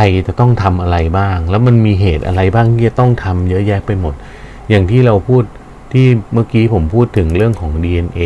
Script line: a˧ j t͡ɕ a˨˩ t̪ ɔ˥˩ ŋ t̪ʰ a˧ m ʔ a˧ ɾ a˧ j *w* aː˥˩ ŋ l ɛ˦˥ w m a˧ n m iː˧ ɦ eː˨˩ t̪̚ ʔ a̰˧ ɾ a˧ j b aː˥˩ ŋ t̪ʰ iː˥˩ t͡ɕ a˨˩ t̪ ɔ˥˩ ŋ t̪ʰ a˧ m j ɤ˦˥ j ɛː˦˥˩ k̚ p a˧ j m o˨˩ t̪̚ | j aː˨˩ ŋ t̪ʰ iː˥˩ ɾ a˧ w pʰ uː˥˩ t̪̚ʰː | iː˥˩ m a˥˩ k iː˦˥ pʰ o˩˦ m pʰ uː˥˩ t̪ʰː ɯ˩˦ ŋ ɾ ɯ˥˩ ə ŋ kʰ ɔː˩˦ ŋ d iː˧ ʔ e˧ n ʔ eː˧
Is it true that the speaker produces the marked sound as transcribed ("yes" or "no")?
no